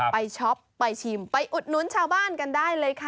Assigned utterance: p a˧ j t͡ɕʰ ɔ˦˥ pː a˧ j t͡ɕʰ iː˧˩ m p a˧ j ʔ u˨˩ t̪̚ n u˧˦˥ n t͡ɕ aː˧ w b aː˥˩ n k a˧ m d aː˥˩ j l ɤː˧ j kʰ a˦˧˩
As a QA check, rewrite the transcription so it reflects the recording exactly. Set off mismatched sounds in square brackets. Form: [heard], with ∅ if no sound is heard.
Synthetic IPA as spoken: p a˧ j t͡ɕʰ ɔ˦˥ pː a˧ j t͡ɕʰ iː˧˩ m p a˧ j ʔ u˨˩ t̪̚ n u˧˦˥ n [t͡ɕʰ] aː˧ w b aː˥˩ n k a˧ [n] d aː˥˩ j l ɤː˧ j kʰ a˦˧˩